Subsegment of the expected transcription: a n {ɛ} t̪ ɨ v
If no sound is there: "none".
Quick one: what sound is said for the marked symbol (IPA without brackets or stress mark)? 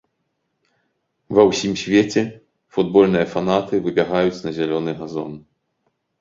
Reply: a